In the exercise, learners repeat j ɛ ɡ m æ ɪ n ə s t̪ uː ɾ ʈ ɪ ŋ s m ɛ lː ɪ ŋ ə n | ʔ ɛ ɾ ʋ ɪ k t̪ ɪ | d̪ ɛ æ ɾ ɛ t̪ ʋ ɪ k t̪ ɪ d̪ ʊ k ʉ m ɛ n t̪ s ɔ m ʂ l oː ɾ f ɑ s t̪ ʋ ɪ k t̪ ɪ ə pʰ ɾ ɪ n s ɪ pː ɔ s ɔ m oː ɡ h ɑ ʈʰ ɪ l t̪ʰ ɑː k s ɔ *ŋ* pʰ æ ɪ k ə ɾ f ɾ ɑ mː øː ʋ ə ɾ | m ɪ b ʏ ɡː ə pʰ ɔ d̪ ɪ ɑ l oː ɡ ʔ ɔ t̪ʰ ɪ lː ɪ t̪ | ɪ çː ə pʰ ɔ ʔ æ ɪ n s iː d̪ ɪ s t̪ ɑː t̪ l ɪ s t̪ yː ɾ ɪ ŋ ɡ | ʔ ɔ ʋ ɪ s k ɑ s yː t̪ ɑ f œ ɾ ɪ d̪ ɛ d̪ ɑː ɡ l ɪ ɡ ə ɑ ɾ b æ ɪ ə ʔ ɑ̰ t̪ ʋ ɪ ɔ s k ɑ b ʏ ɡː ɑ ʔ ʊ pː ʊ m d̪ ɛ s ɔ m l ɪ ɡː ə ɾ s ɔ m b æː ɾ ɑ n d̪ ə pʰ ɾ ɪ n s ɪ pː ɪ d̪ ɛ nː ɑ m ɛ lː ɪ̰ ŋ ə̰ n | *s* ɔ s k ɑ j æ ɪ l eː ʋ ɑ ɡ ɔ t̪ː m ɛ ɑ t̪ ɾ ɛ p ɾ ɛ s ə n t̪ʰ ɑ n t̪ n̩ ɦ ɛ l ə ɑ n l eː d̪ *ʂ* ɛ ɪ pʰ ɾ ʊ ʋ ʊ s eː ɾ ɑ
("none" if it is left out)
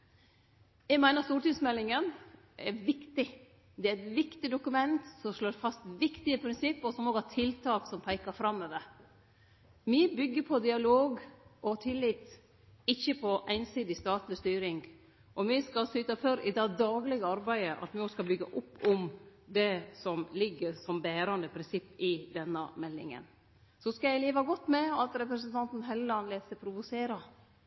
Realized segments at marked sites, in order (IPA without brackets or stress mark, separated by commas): m, s, s